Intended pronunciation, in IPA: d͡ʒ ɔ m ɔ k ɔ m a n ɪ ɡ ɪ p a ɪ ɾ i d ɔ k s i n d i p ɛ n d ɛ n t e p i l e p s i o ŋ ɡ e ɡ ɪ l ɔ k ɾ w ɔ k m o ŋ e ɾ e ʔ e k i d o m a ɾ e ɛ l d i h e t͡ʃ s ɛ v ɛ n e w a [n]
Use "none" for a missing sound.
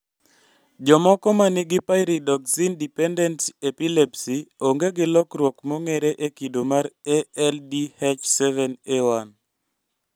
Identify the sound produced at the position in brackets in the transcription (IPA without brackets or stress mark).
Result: n